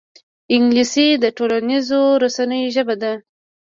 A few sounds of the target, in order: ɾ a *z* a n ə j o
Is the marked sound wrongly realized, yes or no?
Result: yes